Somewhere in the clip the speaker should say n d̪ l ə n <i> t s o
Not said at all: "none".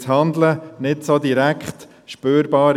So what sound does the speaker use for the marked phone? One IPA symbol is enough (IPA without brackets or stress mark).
ɪ